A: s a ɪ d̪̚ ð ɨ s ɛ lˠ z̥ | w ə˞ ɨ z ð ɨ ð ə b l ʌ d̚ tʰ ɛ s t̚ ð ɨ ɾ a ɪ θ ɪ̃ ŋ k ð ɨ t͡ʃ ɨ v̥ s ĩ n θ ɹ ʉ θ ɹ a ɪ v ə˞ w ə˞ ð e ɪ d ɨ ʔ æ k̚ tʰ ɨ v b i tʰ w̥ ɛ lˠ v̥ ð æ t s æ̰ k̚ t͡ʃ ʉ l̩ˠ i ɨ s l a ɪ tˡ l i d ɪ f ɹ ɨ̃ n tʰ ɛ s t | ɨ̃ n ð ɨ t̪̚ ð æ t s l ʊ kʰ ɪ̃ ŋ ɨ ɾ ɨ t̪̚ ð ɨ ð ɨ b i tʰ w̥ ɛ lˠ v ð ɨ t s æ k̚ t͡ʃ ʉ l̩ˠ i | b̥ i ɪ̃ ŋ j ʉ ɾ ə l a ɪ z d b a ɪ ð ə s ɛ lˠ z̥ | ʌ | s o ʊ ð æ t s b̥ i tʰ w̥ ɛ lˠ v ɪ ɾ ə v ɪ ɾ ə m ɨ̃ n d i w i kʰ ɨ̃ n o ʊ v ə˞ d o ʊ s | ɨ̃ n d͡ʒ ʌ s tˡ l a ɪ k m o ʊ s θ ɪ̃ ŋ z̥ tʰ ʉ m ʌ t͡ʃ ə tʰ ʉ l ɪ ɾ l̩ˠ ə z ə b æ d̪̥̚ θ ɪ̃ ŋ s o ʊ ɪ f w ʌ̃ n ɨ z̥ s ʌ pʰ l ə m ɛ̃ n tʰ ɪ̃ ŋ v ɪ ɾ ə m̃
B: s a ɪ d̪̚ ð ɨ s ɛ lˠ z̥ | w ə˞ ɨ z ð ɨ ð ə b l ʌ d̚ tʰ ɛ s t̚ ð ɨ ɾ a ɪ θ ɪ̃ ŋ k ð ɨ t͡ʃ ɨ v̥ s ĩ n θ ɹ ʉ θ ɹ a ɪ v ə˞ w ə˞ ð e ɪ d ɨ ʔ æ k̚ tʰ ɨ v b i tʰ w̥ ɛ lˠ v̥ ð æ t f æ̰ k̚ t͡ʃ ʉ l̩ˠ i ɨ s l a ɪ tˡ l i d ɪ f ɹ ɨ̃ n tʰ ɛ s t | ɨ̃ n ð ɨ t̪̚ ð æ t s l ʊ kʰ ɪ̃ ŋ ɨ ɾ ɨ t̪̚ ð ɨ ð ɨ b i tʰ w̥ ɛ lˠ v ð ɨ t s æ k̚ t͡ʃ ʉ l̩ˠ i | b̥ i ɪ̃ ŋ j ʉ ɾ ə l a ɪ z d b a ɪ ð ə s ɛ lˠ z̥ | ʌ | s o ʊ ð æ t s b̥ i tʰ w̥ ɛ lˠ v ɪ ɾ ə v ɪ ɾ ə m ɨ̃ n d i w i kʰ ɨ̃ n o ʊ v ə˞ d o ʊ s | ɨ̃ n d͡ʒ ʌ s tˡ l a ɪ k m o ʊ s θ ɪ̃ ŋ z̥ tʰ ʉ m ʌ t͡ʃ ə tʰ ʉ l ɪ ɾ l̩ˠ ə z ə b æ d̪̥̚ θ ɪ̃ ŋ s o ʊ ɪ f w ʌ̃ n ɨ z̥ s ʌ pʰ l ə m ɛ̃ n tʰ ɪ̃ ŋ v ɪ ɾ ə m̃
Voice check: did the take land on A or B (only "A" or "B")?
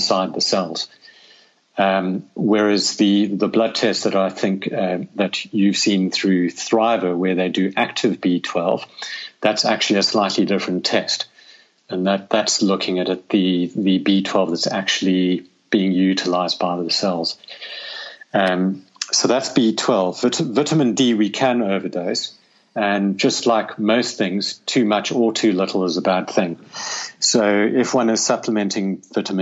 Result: A